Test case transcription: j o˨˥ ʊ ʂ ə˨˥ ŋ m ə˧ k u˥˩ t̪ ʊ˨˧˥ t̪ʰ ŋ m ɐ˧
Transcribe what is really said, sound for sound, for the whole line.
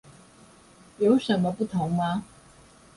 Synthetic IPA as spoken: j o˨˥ ʊ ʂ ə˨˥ n m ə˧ p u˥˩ t̪ʰ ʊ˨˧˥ ŋ m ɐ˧

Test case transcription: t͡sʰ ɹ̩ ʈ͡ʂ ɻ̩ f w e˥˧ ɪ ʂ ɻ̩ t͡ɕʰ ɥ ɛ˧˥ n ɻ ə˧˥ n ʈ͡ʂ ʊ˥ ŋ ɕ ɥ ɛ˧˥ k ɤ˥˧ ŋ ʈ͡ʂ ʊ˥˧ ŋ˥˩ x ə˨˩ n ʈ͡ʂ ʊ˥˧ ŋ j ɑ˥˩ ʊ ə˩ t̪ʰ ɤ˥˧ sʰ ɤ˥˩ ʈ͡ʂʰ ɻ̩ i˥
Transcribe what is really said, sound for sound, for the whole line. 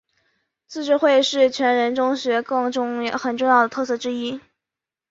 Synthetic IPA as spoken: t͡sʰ ɹ̩ ʈ͡ʂ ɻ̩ x w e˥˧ ɪ ʂ ɻ̩ t͡ɕʰ ɥ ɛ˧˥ n ɻ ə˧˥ n ʈ͡ʂ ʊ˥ ŋ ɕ ɥ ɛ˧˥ k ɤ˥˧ ŋ ʈ͡ʂ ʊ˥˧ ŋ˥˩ x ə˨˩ n ʈ͡ʂ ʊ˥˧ ŋ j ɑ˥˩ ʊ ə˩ t̪ʰ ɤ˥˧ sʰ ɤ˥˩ ʈ͡ʂ ɻ̩ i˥

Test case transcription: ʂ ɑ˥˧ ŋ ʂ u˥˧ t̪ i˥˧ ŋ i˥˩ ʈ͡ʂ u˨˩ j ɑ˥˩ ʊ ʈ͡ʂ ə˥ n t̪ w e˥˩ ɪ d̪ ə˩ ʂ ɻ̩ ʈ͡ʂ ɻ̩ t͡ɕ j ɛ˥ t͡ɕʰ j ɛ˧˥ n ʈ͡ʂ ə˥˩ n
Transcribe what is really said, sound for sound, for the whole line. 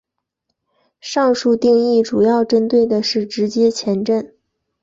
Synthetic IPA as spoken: ʂ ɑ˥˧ ŋ ʂ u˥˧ t̪ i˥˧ ŋ i˥˩ ʈ͡ʂ u˨˩ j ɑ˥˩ ʊ ʈ͡ʂ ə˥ n t̪ w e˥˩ ɪ d̪ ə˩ ʂ ɻ̩ ʈ͡ʂ ɻ̩ t͡ɕ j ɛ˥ t͡ɕʰ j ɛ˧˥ n ʈ͡ʂ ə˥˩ n

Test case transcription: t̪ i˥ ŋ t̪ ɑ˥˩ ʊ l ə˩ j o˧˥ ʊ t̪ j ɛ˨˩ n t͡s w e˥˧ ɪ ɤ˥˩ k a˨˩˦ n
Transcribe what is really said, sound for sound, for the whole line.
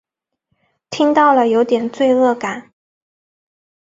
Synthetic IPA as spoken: t̪ʰ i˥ ŋ t̪ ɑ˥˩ ʊ l ə˩ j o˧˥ ʊ t̪ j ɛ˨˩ n t͡s w e˥˧ ɪ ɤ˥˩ k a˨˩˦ n

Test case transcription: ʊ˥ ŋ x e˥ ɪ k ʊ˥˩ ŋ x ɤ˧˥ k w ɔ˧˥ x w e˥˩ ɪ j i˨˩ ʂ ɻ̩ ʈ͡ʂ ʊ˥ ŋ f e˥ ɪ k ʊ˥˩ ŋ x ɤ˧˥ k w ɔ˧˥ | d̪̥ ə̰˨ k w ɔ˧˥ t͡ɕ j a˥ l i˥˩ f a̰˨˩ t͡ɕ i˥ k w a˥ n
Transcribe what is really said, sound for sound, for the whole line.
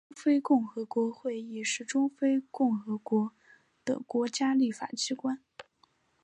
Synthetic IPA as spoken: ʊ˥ ŋ f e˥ ɪ k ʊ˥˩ ŋ x ɤ˧˥ k w ɔ˧˥ x w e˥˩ ɪ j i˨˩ ʂ ɻ̩ ʈ͡ʂ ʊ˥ ŋ f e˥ ɪ k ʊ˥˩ ŋ x ɤ˧˥ k w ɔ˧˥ | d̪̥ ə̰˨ k w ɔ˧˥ t͡ɕ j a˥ l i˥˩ f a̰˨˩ t͡ɕ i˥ k w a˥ n

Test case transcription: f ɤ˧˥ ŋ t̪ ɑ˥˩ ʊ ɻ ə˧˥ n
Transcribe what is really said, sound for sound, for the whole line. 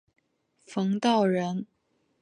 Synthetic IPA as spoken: f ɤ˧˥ ŋ t̪ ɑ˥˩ ʊ ɻ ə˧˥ n

